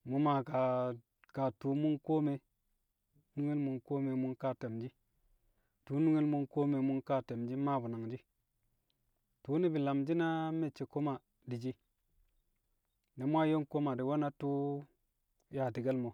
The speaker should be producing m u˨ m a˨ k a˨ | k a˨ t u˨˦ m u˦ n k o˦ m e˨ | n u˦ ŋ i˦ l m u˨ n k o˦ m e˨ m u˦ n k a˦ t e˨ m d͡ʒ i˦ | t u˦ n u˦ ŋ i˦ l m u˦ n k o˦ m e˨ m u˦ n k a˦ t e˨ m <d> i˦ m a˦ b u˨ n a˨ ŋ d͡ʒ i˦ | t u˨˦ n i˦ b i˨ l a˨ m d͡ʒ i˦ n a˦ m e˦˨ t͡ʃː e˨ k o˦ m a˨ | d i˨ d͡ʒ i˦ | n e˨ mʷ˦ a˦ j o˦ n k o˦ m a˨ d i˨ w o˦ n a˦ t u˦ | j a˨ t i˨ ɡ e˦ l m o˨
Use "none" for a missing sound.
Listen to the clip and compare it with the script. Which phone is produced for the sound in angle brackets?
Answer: d͡ʒ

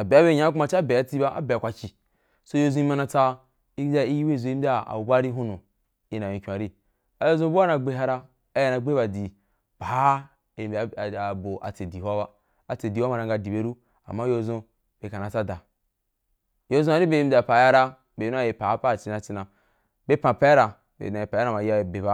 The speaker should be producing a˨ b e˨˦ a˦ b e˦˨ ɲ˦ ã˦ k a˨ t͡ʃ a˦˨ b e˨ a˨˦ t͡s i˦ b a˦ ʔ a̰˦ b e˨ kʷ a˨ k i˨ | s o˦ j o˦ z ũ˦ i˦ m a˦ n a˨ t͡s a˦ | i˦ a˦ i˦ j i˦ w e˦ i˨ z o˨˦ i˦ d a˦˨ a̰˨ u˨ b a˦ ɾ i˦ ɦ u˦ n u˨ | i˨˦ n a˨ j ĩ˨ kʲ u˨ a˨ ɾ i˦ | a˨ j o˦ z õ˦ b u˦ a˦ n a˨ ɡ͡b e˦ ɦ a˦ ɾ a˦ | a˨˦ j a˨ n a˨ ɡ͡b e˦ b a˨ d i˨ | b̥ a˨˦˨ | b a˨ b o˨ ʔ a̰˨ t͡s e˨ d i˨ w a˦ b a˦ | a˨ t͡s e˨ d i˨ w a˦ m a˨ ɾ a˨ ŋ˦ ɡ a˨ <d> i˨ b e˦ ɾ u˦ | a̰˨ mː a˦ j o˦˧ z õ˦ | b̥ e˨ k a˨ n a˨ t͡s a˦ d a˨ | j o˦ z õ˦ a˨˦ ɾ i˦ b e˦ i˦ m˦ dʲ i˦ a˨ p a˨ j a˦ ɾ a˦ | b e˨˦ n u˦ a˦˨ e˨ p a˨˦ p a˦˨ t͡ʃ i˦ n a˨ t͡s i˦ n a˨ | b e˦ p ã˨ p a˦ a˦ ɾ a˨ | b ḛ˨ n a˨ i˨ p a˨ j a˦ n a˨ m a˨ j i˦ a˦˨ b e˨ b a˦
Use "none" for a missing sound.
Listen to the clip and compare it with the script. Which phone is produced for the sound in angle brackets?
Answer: d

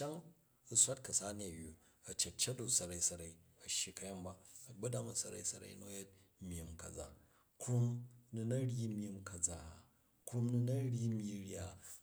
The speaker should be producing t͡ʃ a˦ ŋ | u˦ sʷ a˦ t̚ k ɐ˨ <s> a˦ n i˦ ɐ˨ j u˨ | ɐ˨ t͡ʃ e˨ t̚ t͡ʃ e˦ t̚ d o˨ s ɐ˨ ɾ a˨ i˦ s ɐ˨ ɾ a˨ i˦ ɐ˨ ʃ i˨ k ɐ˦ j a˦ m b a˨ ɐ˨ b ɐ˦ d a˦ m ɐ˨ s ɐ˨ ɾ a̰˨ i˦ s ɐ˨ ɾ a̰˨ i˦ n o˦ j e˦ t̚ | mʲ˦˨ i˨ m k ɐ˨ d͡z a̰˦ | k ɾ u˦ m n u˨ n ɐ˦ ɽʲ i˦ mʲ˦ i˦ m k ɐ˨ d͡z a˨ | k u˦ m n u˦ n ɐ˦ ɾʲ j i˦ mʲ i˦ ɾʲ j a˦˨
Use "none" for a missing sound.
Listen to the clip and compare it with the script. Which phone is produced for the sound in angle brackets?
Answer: s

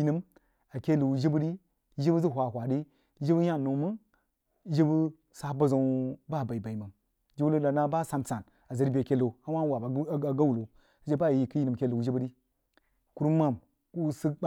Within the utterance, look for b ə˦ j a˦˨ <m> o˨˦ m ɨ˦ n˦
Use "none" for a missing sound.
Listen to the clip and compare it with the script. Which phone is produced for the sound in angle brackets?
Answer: n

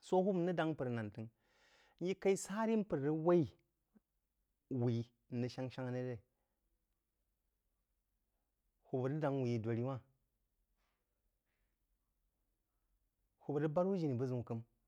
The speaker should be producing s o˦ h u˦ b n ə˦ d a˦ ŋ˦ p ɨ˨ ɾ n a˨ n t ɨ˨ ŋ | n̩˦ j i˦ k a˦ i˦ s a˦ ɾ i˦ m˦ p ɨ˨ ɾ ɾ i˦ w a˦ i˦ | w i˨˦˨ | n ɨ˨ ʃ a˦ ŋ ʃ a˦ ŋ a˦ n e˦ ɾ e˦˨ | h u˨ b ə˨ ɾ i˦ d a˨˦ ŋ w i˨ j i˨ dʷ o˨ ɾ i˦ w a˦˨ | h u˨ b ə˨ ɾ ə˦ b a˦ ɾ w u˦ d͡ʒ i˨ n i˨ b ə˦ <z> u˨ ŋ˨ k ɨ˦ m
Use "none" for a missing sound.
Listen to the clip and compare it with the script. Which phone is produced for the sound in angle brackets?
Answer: z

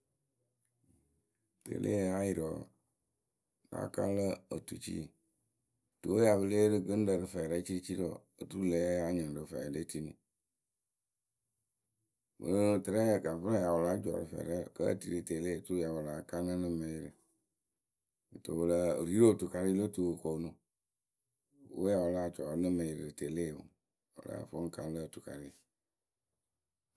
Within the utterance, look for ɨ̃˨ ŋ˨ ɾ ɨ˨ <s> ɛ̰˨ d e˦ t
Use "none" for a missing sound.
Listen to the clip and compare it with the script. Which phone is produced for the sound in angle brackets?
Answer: f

